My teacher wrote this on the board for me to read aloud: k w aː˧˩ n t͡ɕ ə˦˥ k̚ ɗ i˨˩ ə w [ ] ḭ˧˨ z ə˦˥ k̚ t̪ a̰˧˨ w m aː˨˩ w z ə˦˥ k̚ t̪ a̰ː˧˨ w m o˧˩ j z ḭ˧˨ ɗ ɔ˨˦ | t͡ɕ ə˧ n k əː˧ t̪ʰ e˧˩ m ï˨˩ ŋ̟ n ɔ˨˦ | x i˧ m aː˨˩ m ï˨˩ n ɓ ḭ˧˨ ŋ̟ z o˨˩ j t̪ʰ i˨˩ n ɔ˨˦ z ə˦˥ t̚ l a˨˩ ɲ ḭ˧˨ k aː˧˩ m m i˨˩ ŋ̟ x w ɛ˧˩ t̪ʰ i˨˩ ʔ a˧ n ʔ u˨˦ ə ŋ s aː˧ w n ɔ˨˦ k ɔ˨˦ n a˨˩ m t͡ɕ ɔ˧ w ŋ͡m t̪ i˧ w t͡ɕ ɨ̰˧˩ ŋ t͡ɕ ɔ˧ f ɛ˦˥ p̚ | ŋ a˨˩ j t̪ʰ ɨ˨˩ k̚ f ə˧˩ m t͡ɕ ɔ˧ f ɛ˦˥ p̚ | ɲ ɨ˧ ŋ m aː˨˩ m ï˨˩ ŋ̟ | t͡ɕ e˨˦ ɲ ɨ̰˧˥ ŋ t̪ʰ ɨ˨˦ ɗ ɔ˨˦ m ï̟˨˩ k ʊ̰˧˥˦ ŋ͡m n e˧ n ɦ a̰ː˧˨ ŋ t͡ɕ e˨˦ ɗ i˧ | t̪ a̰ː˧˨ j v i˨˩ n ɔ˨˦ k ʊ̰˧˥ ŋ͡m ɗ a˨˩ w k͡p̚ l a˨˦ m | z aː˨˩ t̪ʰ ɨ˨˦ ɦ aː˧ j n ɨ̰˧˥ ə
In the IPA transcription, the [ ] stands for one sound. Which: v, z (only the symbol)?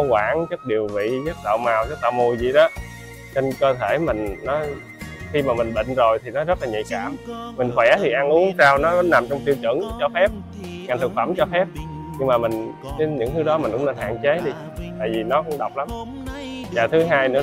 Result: v